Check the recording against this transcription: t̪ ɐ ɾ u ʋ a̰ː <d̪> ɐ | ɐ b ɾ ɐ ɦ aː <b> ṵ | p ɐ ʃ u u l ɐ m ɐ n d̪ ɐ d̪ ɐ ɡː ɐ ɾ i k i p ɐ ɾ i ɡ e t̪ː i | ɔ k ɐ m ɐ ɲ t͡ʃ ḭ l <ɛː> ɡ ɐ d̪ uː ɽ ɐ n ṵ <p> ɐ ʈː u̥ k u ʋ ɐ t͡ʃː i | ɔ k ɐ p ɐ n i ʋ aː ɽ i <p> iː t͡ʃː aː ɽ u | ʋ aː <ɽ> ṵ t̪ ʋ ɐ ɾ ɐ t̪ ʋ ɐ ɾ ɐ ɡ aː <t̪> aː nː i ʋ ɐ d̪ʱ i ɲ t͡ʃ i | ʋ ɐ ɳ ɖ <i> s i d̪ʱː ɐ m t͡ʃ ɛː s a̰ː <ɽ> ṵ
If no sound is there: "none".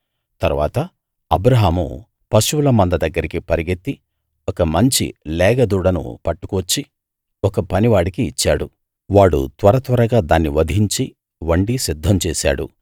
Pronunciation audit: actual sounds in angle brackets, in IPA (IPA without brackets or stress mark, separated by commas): t̪, m, ɛː, p, k, ɽ, d̪, i, ɽ